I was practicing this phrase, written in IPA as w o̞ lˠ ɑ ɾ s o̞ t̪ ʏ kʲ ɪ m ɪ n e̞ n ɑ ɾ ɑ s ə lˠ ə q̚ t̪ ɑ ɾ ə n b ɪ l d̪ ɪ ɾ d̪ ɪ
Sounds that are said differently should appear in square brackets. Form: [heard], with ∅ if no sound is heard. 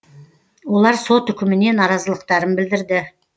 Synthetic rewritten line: w o̞ lˠ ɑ ɾ s o̞ t̪ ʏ kʲ ɪ m ɪ n e̞ n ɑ ɾ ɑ [z] ə lˠ ə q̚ t̪ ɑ ɾ ə n b ɪ l d̪ ɪ ɾ d̪ ɪ